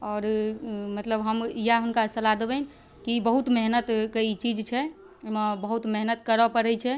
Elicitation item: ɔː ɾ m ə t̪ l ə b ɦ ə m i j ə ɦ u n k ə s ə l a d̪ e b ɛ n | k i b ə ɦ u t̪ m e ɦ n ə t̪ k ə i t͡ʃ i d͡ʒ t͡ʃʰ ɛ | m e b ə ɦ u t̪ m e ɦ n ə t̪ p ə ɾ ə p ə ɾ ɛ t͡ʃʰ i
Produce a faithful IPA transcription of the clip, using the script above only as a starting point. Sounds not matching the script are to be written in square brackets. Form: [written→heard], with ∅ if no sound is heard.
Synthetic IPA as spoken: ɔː ɾ m ə t̪ l ə b ɦ ə m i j [ə→a] ɦ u n k [ə→a] s ə l a d̪ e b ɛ n | k i b ə ɦ u t̪ m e ɦ n ə t̪ k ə i t͡ʃ i d͡ʒ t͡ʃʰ ɛ | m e b ə ɦ u t̪ m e ɦ n ə t̪ [p→k] ə ɾ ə p ə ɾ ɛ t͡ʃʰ [i→ɛ]

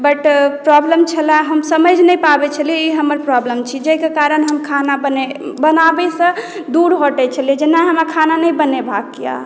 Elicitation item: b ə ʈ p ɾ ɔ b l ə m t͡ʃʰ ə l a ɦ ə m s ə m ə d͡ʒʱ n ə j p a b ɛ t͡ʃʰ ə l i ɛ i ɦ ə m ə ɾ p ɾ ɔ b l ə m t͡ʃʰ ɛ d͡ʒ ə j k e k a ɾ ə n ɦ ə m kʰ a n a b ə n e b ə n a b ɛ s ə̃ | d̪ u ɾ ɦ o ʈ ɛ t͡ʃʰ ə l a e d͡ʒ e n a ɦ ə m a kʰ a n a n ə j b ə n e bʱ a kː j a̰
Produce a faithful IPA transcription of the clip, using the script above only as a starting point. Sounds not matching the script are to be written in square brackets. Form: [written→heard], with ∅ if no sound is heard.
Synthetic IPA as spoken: b ə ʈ p ɾ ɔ b l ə m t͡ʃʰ ə l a ɦ ə m s ə m ə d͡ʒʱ n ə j p a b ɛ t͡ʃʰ ə l i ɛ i ɦ ə m ə ɾ p ɾ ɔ b l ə m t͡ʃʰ [ɛ→i] d͡ʒ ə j k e k a ɾ ə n ɦ ə m kʰ a n a b ə n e b ə n a b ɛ s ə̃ | d̪ u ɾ ɦ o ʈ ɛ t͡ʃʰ ə l [a→i] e d͡ʒ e n a ɦ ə m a kʰ a n a n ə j b ə n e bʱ a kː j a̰

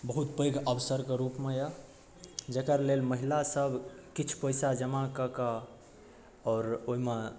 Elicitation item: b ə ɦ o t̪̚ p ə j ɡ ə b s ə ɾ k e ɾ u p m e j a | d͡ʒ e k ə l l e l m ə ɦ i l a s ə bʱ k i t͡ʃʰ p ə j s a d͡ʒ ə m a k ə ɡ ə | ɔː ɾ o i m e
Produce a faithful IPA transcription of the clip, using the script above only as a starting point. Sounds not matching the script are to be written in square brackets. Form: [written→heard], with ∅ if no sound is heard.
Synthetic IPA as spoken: b ə ɦ [o→u] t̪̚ p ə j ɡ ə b s ə ɾ k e ɾ u p m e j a | d͡ʒ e k ə [l→ɾ] l e l m ə ɦ i l a s ə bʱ k i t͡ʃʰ p ə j s a d͡ʒ ə m a k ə [ɡ→k] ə | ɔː ɾ o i m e

